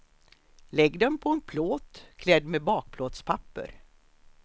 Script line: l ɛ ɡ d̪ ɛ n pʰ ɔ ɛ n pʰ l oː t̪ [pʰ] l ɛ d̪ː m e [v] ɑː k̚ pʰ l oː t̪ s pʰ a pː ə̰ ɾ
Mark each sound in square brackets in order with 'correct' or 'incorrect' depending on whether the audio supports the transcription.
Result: incorrect, incorrect

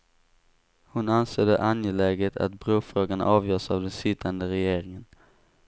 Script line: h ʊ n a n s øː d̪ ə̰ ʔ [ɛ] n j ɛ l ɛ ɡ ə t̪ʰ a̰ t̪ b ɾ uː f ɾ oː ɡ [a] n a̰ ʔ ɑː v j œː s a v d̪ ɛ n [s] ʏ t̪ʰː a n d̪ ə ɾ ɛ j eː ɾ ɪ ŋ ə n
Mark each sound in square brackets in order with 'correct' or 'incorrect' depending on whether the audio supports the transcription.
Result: incorrect, correct, correct

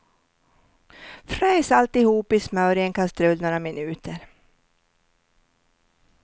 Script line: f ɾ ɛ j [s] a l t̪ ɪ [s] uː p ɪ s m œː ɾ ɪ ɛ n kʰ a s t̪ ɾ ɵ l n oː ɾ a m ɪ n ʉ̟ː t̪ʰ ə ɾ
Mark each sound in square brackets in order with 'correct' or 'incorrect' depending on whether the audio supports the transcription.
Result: correct, incorrect

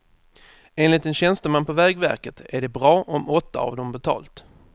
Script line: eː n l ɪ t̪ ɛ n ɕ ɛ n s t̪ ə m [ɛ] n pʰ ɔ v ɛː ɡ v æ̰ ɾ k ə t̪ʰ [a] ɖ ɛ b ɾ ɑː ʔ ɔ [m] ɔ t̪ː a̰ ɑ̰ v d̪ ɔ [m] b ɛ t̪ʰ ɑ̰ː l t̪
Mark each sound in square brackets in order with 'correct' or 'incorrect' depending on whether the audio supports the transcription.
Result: incorrect, incorrect, correct, correct

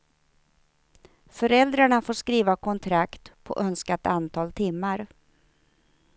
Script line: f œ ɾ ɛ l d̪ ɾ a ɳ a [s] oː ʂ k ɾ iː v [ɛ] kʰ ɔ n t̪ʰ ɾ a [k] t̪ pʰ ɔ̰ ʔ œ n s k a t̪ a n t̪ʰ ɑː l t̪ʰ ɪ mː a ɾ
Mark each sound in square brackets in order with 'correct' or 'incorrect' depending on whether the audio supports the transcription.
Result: incorrect, incorrect, correct

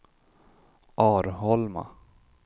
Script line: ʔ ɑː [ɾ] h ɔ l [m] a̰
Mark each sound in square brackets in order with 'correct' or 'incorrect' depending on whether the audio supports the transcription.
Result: correct, correct

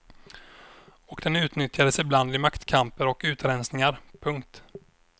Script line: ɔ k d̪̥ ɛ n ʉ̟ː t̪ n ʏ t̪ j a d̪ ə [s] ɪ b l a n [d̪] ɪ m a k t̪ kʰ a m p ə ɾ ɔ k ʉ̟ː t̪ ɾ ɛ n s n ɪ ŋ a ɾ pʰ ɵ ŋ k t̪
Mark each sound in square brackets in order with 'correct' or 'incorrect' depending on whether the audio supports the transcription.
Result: correct, correct

